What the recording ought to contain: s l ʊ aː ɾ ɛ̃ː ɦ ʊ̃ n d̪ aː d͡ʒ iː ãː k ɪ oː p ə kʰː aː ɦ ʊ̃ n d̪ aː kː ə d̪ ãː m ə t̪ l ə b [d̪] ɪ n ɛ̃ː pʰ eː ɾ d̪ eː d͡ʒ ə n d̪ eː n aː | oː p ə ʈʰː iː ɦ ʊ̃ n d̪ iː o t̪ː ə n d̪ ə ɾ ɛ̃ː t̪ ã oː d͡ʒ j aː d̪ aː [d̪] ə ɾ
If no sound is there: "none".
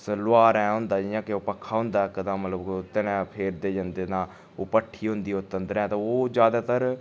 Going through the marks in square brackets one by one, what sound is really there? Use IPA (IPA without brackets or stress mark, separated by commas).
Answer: t̪, t̪